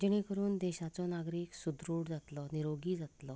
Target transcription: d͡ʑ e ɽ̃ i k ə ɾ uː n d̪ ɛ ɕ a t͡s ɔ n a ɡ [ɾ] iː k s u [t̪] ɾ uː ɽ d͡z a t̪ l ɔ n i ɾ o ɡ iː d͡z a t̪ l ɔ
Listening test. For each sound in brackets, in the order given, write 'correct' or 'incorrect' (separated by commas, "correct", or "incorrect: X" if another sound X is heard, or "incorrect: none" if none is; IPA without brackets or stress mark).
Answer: correct, incorrect: d̪